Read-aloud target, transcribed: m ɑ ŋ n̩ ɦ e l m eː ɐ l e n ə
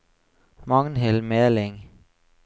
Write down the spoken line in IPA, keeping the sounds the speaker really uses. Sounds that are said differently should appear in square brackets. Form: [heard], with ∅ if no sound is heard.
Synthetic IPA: m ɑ ŋ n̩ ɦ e l m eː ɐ l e [ŋ] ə